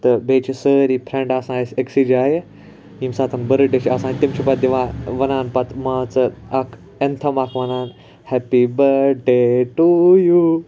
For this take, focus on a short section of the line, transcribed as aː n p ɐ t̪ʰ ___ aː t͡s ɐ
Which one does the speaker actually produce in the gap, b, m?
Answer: m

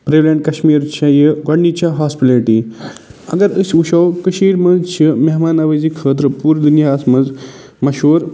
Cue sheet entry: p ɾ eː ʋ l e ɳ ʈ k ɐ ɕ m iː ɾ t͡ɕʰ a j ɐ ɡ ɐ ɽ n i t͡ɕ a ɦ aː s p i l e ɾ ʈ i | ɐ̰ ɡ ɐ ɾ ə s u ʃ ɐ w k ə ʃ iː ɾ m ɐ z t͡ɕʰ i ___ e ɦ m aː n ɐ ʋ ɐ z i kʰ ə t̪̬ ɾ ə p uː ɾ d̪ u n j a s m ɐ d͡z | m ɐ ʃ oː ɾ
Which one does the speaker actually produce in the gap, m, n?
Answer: m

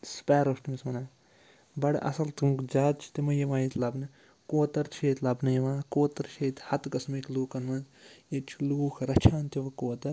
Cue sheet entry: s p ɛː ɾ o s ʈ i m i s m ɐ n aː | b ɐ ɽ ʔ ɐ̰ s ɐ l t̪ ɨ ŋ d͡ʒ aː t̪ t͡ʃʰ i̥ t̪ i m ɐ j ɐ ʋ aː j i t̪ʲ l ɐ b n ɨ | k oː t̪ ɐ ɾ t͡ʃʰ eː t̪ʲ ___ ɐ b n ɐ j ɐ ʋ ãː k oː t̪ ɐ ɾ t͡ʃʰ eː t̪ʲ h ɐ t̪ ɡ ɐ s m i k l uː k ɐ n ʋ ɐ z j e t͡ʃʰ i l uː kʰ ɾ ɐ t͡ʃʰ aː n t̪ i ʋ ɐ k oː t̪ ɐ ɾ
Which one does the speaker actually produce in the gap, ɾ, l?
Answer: l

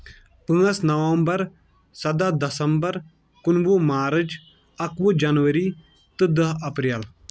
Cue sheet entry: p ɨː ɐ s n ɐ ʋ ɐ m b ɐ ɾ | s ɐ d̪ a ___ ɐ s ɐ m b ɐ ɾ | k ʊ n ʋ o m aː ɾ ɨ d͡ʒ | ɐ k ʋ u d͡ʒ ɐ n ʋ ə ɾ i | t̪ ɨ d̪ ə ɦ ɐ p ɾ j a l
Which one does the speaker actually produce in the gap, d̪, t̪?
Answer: d̪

